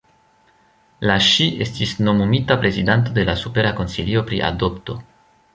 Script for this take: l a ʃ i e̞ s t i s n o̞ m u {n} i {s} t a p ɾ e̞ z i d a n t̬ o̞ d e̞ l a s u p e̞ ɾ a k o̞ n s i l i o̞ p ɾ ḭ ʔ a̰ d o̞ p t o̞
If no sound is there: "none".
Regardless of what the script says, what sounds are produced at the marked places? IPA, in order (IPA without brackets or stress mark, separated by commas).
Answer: m, none